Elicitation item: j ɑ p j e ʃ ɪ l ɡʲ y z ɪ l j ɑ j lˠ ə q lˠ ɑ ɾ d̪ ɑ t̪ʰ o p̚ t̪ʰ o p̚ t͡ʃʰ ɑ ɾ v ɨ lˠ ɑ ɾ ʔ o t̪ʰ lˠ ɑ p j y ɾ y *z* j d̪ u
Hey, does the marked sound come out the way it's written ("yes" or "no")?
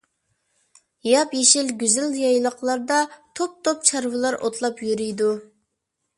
no